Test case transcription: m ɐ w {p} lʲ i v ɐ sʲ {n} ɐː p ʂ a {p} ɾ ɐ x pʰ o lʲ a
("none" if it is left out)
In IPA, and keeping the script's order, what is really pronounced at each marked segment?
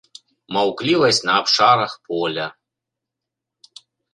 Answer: k, n, none

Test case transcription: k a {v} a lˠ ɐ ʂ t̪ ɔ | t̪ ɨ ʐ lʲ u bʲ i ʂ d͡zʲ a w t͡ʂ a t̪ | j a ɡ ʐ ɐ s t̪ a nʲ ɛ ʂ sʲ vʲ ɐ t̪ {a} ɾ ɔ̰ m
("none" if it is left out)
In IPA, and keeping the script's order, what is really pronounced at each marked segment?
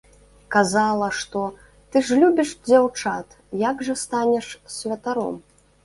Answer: z, a

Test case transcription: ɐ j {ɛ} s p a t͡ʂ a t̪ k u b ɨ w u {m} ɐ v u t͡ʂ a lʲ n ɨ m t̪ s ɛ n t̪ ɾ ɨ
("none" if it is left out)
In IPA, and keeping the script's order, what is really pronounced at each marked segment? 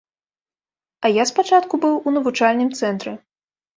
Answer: a, n

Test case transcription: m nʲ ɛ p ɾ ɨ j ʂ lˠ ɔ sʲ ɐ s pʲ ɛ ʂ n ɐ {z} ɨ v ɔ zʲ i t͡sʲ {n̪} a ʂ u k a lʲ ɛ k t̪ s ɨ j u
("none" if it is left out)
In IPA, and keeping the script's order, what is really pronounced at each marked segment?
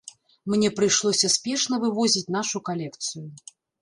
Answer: v, n̪

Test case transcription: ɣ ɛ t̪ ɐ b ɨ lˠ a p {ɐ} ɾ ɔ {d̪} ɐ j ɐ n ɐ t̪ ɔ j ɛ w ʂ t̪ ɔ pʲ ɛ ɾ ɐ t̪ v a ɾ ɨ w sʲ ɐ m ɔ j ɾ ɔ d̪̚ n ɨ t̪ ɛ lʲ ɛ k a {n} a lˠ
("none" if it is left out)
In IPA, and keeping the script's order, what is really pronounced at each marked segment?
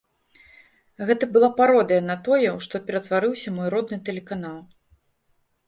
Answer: a, d̪, n

